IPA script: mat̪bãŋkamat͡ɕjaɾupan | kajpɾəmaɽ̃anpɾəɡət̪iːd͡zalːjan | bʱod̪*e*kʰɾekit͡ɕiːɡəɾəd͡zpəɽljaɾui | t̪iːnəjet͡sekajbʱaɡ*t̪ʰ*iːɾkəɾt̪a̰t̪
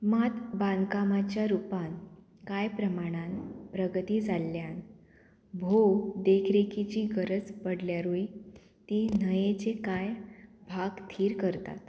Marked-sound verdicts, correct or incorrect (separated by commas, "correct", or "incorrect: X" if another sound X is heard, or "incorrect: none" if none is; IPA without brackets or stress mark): correct, correct